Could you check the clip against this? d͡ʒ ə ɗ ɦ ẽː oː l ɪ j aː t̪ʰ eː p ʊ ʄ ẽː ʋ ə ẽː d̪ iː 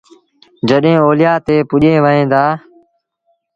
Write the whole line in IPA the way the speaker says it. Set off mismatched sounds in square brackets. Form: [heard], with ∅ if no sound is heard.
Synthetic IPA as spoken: d͡ʒ ə ɗ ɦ ẽː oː l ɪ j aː [t̪] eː p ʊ ʄ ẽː ʋ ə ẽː d̪ [aː]